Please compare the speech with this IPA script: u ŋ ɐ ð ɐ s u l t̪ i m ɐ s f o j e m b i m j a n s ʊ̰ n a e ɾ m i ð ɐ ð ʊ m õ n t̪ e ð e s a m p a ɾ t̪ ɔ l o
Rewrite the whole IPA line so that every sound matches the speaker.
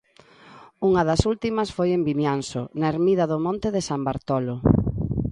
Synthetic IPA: u ŋ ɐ ð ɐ s u l t̪ i m ɐ s f o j e m b i m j a n s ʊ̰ n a e ɾ m i ð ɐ ð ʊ m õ n t̪ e ð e s a m b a ɾ t̪ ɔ l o